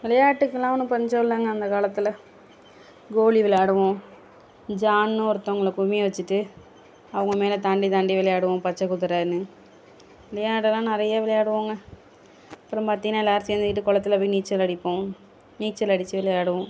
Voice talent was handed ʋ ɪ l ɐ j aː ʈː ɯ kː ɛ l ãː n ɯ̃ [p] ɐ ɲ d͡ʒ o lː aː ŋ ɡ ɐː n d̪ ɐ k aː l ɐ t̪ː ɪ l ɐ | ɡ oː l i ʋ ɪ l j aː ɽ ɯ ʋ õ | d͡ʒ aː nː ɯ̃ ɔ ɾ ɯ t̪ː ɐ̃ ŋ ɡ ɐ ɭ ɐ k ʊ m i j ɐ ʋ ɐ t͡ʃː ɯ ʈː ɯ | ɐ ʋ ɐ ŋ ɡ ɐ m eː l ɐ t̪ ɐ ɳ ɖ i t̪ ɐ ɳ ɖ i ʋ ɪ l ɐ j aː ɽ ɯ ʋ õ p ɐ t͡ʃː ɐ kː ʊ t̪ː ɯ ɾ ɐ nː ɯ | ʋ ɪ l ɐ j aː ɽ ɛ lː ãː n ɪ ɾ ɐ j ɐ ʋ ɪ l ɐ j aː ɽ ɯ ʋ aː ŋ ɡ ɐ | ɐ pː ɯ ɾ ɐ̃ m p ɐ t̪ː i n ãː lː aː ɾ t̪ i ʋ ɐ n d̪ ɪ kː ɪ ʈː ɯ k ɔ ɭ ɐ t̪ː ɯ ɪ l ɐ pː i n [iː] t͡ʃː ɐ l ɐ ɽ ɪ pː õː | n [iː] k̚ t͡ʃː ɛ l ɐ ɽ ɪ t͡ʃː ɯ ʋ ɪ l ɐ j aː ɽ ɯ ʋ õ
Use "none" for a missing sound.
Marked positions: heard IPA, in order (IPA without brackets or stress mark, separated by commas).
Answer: p, iː, iː